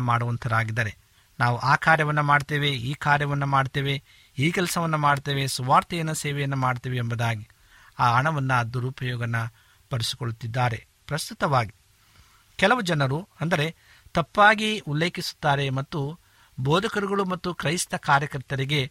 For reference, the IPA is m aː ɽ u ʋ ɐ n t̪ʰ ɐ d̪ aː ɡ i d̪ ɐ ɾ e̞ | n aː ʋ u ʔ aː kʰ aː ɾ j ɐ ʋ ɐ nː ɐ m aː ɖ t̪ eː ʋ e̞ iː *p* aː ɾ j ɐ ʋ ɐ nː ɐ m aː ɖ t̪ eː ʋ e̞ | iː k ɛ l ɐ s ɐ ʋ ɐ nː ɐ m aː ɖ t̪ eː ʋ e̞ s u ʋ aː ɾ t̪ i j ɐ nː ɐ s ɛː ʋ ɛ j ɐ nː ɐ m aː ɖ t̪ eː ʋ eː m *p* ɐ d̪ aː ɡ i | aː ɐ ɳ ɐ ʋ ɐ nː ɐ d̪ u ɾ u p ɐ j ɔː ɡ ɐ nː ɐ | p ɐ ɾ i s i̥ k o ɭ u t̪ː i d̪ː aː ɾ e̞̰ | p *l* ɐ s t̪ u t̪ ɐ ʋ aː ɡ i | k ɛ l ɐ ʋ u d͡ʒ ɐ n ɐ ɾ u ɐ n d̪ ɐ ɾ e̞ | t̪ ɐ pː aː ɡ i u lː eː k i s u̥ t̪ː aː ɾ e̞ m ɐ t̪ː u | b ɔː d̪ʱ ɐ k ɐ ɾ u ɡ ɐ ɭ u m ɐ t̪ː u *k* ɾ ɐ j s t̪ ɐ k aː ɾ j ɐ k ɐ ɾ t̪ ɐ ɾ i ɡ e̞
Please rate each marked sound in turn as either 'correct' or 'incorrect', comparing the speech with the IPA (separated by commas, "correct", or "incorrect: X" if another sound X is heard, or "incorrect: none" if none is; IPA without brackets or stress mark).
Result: incorrect: k, incorrect: b, incorrect: ɾ, correct